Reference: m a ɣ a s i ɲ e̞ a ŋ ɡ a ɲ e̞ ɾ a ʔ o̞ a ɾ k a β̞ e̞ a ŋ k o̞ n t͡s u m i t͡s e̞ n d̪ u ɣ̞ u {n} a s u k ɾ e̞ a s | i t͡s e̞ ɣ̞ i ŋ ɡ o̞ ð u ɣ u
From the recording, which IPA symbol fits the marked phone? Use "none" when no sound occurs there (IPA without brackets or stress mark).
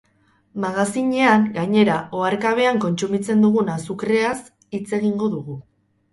n